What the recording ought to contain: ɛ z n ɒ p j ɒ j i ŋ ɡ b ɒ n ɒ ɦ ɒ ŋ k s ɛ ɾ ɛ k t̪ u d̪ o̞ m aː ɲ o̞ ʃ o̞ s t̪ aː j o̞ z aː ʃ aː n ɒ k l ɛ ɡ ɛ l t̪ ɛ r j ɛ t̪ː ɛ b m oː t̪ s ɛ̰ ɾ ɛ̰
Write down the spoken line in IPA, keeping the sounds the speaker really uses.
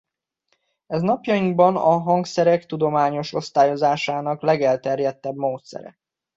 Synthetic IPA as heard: ɛ z n ɒ p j ɒ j i ŋ ɡ b ɒ n ɒ ɦ ɒ ŋ k s ɛ ɾ ɛ k t̪ u d̪ o̞ m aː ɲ o̞ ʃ o̞ s t̪ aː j o̞ z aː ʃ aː n ɒ k l ɛ ɡ ɛ l t̪ ɛ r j ɛ t̪ː ɛ b m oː t̪ s ɛ̰ ɾ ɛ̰